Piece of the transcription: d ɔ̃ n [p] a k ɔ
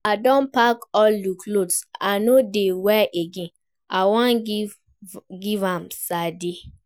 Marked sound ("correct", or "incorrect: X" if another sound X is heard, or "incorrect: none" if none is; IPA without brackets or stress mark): correct